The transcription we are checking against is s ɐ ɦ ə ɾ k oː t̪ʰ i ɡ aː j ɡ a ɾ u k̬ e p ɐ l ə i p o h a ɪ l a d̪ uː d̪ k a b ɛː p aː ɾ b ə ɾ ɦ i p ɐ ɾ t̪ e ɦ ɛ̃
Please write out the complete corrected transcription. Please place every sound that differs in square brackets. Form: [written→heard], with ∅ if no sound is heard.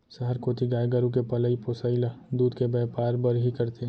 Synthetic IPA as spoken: s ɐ ɦ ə ɾ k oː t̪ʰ i ɡ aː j ɡ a ɾ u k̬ e p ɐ l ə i p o [h→s] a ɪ l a d̪ uː d̪ k [a→e] b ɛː p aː ɾ b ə ɾ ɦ i [p→k] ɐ ɾ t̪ e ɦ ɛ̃